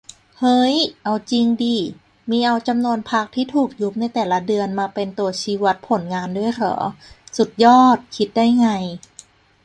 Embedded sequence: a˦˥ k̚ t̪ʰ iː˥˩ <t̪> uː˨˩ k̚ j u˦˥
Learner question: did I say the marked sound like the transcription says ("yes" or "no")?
no